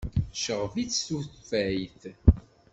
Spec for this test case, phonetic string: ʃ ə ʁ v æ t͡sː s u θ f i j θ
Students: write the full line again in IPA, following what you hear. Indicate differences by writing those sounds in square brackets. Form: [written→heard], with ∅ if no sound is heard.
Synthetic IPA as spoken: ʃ ə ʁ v [æ→i] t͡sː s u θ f [i→æ] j θ